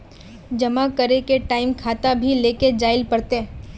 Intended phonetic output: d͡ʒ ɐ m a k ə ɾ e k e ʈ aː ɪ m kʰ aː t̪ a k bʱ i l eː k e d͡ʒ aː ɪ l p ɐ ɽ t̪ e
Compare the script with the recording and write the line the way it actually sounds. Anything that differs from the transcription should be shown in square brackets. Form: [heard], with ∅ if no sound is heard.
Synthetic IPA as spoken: d͡ʒ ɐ m a k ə ɾ e k e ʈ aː ɪ m kʰ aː t̪ a [∅] bʱ i l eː k e d͡ʒ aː ɪ l p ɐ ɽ t̪ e